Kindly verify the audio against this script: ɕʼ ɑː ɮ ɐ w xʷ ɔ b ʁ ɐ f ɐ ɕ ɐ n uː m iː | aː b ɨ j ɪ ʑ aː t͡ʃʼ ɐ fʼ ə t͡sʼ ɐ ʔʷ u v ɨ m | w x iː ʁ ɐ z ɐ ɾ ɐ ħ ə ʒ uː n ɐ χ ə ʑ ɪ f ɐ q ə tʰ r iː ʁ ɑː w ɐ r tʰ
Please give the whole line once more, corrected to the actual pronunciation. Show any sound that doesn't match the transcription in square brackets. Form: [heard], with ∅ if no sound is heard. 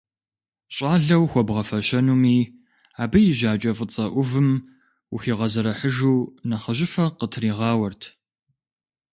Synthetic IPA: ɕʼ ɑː ɮ ɐ w xʷ ɔ b ʁ ɐ f ɐ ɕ ɐ n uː m iː | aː b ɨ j ɪ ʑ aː t͡ʃʼ ɐ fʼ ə t͡sʼ ɐ ʔʷ [ʊ] v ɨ m | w x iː ʁ ɐ z ɐ ɾ ɐ ħ ə ʒ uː n ɐ χ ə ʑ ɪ f ɐ q ə tʰ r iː ʁ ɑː w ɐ r tʰ